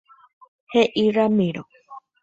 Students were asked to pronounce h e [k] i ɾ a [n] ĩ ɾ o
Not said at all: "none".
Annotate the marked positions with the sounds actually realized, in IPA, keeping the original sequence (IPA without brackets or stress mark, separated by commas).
ʔ, m